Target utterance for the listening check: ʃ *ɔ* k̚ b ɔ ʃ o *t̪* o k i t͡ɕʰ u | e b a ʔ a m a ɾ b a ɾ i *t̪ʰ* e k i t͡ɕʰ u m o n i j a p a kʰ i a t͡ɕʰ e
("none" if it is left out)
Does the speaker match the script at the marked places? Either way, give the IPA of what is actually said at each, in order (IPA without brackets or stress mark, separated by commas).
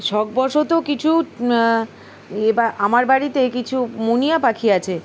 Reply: ɔ, t̪, t̪